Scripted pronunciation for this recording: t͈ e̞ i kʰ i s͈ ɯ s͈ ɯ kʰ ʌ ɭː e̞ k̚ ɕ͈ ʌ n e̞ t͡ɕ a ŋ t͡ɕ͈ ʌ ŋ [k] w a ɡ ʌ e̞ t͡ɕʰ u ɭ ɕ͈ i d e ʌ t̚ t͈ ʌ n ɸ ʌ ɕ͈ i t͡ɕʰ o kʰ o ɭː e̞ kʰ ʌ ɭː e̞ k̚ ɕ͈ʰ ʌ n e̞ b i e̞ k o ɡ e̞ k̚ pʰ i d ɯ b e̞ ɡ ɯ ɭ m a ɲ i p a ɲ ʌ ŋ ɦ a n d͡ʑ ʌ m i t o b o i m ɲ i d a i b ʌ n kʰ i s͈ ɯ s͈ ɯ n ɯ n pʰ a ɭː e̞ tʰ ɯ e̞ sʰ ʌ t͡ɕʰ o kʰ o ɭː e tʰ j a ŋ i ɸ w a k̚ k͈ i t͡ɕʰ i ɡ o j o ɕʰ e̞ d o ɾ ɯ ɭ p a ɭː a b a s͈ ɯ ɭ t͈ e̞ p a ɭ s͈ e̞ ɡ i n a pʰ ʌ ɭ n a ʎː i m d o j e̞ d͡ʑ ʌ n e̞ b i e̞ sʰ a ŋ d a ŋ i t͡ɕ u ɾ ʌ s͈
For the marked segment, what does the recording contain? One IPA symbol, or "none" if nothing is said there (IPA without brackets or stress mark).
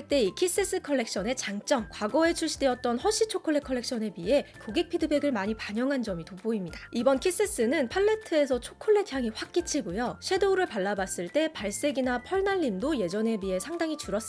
k